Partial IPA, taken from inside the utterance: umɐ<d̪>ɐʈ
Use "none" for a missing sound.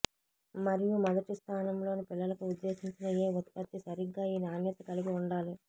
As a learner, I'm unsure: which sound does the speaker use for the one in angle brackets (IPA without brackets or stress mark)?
d̪